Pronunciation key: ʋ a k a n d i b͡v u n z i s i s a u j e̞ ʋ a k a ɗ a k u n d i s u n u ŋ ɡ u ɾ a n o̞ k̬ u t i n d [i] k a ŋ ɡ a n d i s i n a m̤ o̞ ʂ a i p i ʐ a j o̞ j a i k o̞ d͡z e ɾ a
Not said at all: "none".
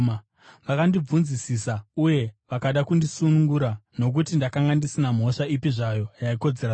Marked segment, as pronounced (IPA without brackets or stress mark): a